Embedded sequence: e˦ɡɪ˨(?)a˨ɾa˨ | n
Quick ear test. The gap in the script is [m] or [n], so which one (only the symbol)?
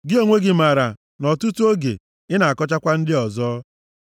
m